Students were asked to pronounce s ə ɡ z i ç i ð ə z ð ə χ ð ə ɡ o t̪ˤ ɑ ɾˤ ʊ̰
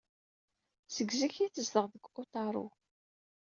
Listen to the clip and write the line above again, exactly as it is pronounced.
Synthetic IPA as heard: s ə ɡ z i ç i θ ə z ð ə ʁ ð ə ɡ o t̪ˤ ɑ ɾˤ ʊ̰